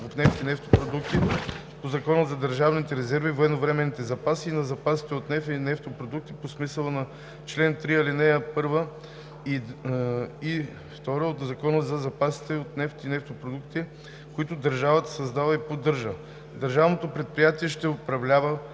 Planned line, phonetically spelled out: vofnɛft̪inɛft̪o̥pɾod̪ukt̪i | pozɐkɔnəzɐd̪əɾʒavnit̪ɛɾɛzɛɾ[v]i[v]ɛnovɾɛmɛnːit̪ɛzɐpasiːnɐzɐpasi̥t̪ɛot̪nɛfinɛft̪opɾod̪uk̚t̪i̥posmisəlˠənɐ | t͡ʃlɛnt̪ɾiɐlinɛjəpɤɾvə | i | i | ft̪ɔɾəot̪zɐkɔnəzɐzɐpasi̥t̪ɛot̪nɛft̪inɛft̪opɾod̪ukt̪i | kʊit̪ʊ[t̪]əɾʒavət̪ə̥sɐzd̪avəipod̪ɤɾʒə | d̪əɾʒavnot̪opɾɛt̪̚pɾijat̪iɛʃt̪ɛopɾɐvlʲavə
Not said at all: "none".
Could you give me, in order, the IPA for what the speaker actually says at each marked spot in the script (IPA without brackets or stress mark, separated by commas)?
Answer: v, v, d̪